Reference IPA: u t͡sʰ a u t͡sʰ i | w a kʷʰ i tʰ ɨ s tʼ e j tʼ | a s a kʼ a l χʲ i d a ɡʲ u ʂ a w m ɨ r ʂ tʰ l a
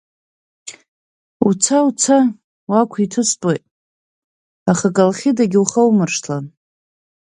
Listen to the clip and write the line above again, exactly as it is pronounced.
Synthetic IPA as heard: u t͡sʰ a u t͡sʰ a | w a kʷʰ i tʰ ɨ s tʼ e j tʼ | a χ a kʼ a l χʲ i d a ɡʲ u χ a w m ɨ r ʂ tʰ l a